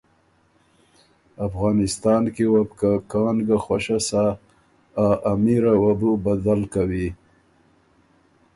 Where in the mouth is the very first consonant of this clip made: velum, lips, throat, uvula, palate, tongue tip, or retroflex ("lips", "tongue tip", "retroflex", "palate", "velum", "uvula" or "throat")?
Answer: lips